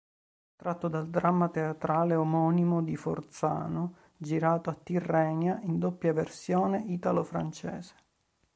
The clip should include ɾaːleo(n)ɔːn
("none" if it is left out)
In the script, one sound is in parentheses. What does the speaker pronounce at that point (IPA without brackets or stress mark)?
m